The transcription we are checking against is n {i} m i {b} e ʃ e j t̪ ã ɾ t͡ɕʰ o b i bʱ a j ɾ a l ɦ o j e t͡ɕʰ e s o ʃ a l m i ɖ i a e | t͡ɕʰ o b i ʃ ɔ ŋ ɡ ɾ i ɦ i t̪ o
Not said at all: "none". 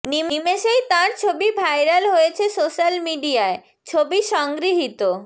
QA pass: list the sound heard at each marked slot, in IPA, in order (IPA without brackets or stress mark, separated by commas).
i, m